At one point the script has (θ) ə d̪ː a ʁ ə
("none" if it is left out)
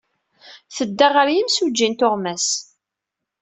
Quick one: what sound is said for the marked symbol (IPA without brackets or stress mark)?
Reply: θ